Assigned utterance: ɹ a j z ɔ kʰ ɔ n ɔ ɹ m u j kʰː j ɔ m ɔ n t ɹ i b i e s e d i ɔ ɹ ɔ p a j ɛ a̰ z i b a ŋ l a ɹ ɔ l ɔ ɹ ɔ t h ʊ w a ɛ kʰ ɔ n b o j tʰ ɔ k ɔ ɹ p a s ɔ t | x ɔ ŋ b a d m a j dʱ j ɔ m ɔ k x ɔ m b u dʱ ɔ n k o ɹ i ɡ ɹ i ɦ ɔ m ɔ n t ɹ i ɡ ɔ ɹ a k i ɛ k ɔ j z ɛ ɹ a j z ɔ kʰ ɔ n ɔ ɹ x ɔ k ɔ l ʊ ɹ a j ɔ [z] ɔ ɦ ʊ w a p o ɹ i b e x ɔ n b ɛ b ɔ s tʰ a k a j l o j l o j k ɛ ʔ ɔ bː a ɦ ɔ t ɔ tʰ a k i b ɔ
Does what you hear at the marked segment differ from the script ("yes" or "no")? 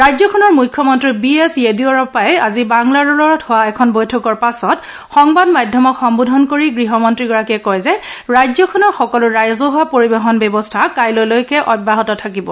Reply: no